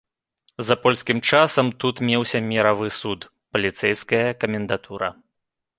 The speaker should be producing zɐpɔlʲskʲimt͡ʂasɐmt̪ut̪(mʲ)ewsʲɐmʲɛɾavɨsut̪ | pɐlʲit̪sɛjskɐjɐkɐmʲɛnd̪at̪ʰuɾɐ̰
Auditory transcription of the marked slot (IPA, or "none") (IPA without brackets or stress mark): mʲ